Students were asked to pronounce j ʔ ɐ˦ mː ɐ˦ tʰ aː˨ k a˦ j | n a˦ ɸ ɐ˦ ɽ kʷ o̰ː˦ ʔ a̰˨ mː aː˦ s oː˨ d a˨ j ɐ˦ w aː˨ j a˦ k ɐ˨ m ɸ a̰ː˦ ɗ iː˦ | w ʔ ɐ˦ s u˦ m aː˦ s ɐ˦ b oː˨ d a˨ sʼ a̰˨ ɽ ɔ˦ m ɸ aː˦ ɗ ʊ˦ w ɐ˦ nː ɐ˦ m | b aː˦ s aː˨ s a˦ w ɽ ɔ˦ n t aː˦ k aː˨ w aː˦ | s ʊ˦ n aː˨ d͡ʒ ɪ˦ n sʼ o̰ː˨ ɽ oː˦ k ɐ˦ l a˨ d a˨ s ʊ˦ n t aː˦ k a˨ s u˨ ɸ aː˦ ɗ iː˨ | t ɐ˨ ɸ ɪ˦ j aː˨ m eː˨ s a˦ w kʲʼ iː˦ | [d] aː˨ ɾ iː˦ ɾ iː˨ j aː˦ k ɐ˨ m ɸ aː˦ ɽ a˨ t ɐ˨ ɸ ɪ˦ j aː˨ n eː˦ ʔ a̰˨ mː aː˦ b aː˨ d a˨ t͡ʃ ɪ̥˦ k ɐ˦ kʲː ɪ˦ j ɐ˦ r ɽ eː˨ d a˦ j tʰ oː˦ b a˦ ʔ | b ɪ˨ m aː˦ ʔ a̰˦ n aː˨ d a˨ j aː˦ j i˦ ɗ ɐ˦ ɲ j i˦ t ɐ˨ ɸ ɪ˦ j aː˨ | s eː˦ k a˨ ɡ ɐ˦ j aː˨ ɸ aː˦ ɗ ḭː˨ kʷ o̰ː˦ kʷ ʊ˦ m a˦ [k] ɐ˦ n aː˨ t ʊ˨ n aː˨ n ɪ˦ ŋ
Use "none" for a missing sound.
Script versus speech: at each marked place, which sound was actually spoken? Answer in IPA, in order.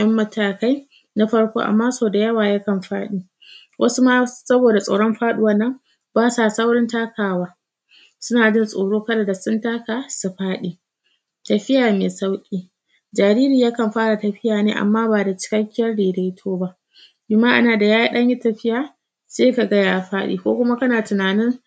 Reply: d͡ʒ, k

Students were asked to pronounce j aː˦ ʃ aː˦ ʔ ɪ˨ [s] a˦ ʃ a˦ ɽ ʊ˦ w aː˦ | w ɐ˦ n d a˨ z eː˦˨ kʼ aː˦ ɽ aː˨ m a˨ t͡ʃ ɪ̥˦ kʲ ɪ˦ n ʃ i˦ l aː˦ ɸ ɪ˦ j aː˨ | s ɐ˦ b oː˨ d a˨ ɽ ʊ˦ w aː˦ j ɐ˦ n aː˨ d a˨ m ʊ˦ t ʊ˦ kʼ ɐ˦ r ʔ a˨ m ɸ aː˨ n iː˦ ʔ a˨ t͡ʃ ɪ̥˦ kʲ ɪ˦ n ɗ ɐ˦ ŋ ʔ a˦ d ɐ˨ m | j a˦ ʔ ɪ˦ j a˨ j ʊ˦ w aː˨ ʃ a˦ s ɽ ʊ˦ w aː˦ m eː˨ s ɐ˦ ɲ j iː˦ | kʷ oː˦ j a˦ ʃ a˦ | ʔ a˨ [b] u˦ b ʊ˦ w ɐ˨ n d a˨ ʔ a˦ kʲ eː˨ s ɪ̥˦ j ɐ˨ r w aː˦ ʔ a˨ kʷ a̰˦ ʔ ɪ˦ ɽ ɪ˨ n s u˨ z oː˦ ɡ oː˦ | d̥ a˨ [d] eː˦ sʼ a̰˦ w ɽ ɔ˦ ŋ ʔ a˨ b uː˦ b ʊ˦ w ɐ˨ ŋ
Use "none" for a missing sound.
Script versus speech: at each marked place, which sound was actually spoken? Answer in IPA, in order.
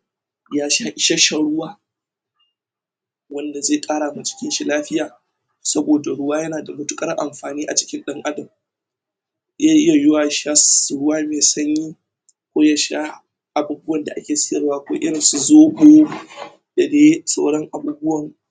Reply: ʃ, b, d

